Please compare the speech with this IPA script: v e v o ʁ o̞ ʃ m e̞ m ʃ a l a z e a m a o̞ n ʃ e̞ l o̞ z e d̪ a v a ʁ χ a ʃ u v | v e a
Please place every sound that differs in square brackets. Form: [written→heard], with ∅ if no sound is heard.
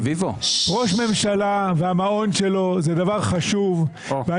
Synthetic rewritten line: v [e→i] v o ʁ o̞ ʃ m e̞ m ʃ a l a [z→v] e a m a o̞ n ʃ e̞ l o̞ z e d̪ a v a ʁ χ a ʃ u v | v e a